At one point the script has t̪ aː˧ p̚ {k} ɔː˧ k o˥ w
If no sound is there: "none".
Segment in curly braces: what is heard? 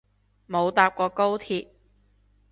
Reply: k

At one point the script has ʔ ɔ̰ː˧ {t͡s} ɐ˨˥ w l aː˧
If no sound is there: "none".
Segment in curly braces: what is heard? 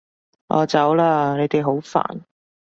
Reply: t͡s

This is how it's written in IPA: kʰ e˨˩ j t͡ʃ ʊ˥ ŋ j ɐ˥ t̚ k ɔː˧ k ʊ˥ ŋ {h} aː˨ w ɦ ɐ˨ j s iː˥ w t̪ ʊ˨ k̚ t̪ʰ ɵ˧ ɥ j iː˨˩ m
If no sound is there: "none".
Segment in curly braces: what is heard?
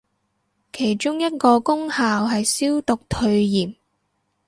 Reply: h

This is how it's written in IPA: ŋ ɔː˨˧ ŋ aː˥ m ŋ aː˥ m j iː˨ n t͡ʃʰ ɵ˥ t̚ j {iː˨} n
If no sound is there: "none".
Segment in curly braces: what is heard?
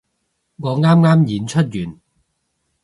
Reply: yː˨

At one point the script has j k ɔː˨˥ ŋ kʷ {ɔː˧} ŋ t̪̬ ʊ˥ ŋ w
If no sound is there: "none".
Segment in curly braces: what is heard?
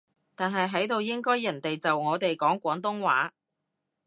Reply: ɔː˨˥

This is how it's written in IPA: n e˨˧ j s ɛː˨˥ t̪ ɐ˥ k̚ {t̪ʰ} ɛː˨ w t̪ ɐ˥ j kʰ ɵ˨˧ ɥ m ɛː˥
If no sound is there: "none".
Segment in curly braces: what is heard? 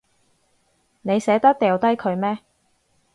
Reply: t̪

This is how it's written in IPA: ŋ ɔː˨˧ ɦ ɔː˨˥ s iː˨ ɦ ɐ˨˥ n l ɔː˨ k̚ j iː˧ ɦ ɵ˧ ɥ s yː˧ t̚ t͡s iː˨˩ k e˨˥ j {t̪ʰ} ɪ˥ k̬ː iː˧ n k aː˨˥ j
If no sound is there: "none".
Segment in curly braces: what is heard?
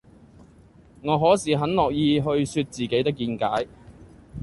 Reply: t̪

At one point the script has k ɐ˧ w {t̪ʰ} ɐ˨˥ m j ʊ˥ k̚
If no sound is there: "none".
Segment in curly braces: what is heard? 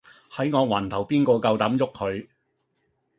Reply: t̪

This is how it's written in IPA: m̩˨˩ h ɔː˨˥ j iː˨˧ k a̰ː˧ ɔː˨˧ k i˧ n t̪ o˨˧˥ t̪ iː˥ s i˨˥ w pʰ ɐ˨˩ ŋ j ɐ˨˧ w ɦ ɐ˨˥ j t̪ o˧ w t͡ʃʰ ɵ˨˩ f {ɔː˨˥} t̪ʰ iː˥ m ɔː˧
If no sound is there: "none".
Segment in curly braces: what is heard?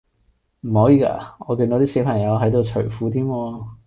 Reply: uː˨˥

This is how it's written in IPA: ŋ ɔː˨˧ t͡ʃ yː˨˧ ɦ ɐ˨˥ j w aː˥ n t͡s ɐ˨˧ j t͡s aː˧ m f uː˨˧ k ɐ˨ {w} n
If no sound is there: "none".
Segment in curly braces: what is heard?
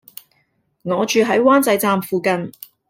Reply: none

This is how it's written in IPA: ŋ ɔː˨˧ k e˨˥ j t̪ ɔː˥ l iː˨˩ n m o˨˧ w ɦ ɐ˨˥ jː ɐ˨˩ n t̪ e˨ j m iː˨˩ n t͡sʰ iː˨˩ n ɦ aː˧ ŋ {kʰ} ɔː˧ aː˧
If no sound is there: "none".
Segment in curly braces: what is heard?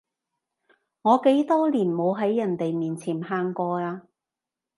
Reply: k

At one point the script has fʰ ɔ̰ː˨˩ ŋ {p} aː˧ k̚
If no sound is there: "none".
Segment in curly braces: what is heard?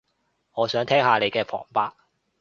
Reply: p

